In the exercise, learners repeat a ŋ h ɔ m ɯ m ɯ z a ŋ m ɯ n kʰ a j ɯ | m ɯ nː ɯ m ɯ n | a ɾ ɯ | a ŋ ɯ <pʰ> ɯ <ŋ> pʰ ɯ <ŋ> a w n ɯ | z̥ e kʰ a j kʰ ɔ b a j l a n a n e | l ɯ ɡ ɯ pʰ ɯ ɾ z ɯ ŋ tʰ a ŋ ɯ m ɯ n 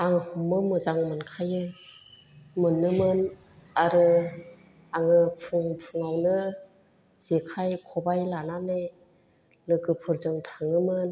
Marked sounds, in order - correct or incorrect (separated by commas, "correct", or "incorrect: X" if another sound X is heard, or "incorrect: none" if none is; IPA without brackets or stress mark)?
correct, correct, correct